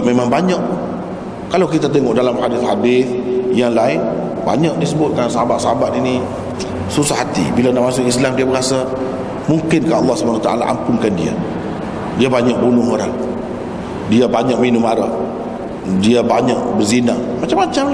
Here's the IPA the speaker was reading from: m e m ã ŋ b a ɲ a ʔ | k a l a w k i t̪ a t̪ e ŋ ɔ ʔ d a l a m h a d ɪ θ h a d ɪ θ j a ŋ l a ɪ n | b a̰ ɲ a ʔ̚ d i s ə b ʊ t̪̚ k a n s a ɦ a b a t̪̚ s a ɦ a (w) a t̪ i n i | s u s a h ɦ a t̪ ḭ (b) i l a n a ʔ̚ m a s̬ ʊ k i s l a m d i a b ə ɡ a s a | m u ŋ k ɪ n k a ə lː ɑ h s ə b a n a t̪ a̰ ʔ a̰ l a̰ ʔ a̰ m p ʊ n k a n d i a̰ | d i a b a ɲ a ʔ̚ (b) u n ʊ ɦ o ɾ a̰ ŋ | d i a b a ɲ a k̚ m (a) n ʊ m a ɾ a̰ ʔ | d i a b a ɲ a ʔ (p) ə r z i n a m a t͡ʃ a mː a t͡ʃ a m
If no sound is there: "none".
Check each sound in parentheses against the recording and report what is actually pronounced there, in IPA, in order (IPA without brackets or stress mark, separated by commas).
b, b, b, i, b